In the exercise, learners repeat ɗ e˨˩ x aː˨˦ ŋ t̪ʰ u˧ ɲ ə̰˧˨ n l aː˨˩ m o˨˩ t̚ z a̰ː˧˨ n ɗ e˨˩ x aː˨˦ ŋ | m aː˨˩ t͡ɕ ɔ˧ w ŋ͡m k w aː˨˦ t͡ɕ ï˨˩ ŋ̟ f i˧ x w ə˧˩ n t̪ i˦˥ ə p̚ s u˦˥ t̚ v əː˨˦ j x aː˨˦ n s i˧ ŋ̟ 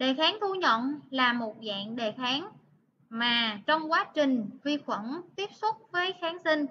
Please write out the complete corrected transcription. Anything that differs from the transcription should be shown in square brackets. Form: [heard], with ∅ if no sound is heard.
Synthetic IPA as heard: ɗ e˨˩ x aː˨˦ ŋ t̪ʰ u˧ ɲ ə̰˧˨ n l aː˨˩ m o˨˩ t̚ z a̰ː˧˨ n ɗ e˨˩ x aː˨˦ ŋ | m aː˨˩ t͡ɕ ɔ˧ w ŋ͡m k w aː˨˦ t͡ɕ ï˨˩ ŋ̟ [v] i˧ x w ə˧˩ n t̪ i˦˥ ə p̚ s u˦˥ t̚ v əː˨˦ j x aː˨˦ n s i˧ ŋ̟